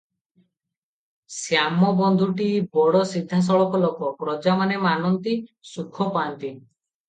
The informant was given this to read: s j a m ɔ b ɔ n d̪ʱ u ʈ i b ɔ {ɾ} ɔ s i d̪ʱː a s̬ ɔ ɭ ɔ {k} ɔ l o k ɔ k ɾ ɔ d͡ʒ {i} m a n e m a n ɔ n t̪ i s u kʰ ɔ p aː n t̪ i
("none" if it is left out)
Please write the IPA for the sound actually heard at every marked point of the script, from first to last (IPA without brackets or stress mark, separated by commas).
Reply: ɽ, k, a